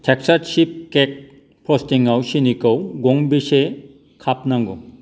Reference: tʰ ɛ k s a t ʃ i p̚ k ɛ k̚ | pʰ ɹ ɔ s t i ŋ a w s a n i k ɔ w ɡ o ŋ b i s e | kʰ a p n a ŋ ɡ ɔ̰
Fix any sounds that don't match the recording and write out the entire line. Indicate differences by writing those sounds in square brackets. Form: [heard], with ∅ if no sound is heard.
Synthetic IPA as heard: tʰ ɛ k s a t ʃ i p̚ k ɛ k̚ | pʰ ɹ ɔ s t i ŋ a w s [i] n i k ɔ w ɡ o ŋ b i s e | kʰ a p n a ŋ ɡ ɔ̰